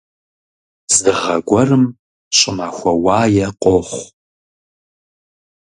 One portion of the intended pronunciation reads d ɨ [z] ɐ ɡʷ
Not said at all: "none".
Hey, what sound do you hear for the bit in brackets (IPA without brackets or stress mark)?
ʁ